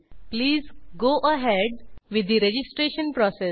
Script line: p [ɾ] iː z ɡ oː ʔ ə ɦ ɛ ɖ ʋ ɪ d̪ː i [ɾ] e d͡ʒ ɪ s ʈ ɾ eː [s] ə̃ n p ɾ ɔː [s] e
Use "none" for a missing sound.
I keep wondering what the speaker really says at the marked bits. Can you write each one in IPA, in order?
l, ɾ, ʃ, s

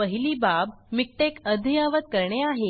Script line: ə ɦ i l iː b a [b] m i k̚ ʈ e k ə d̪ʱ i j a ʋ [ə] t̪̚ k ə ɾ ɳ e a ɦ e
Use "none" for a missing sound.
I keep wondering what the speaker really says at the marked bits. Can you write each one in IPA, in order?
b, ə

